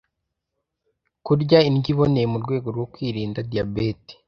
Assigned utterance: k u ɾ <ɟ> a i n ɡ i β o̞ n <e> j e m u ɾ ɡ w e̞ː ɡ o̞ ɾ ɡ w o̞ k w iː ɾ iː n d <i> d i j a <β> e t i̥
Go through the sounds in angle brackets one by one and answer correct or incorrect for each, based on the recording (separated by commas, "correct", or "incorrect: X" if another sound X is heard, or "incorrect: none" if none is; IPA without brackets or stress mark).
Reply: correct, correct, incorrect: a, incorrect: b